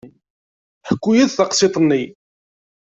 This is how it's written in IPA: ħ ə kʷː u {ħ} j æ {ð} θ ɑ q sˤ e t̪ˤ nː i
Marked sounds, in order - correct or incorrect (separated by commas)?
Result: incorrect, correct